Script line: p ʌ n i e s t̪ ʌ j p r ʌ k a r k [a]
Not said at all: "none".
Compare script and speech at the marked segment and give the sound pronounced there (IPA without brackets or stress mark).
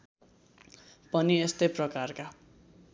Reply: a